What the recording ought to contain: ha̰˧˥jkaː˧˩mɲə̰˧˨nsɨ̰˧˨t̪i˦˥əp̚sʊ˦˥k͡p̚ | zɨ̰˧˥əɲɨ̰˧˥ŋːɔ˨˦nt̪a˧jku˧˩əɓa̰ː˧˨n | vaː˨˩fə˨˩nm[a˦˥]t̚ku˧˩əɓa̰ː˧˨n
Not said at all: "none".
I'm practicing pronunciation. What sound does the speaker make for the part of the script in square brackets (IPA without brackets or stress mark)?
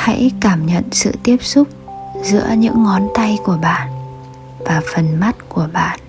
a˦˥